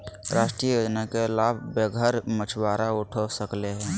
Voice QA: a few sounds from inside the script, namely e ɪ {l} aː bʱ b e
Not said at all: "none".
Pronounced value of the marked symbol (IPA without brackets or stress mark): l